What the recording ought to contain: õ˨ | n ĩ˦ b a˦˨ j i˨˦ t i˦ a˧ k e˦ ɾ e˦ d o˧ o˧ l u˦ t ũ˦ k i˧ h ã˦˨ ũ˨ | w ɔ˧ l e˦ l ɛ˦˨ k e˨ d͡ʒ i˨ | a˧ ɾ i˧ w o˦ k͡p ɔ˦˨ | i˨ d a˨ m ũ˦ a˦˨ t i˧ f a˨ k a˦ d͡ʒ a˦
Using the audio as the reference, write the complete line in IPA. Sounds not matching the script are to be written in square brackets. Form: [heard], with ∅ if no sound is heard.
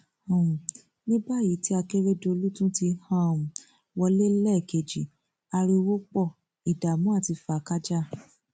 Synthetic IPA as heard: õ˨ | n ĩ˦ b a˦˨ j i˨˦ t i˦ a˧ k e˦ ɾ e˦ d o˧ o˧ l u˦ t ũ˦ [t] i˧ h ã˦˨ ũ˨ | w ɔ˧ l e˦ l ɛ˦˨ k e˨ d͡ʒ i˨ | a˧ ɾ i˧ w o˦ k͡p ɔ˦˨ | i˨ d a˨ m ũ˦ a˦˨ t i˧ f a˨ k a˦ d͡ʒ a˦